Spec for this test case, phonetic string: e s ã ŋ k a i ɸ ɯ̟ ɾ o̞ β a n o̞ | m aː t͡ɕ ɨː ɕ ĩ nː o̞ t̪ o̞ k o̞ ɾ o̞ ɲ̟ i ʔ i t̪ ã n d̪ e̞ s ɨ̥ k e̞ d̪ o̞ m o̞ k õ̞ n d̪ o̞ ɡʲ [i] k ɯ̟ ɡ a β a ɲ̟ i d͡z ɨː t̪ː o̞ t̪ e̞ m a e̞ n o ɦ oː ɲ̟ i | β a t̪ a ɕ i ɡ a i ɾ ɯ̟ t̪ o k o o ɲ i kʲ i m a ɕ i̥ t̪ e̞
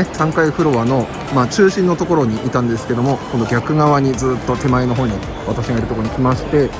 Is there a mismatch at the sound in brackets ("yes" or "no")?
yes